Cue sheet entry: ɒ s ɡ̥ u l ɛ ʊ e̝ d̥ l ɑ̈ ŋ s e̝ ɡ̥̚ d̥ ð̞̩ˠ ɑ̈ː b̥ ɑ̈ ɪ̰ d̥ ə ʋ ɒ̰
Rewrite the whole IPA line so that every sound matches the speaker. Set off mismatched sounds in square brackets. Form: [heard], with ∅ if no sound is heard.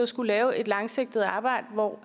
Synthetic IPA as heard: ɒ s ɡ̥ u l [ɛː] ʊ e̝ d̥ l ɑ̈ ŋ s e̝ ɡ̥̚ d̥ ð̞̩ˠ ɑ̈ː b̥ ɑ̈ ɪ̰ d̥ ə ʋ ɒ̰